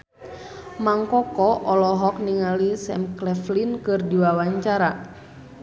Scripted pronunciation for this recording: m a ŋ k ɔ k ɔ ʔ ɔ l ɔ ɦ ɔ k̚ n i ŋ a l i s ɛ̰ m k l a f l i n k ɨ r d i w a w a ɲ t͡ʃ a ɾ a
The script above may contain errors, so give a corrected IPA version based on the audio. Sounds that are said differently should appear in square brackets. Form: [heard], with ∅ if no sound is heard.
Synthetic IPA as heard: m a ŋ k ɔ k ɔ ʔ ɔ l ɔ ɦ ɔ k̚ n i ŋ a l i s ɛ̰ m k l [ɛ] f l i n k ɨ r d i w a w a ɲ t͡ʃ a ɾ a